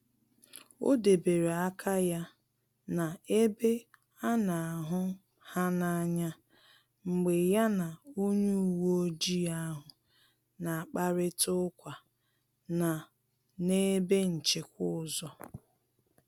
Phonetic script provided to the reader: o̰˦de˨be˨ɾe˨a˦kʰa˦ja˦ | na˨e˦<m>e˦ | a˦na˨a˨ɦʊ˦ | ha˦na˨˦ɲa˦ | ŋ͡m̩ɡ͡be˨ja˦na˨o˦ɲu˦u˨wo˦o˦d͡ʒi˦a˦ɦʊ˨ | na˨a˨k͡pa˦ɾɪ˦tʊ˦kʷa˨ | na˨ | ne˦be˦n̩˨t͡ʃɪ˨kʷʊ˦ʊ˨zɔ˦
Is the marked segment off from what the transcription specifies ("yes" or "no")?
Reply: yes